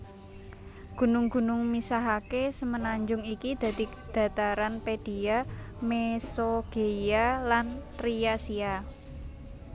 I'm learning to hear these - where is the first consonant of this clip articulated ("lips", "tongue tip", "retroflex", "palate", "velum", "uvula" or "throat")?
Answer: velum